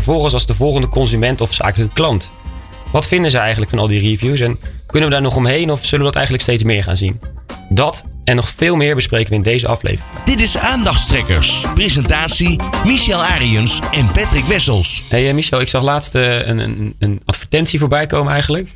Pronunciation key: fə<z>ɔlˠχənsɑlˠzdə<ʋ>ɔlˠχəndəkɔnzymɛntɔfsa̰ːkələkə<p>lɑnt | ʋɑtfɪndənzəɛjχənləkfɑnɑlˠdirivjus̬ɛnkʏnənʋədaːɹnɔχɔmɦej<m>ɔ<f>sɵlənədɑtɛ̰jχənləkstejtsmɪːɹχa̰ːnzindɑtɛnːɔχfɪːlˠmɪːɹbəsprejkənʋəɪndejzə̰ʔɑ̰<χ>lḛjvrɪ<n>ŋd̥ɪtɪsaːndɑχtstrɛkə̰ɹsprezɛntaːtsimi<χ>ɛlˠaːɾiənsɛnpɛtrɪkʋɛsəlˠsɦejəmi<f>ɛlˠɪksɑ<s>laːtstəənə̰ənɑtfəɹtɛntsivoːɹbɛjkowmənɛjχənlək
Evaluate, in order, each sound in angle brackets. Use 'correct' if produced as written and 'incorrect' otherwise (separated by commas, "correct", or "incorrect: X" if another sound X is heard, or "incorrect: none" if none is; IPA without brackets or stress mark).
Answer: incorrect: v, incorrect: v, incorrect: k, incorrect: n, correct, incorrect: f, incorrect: ŋ, incorrect: ʃ, incorrect: ʃ, incorrect: χ